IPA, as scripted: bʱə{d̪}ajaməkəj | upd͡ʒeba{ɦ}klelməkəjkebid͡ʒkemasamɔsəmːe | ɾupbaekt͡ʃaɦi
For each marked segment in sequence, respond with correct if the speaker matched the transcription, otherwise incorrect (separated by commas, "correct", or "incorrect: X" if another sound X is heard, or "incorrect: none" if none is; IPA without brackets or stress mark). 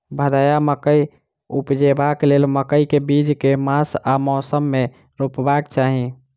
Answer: correct, incorrect: none